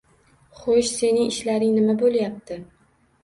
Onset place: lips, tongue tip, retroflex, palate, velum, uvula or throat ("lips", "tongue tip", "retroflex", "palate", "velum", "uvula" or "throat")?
uvula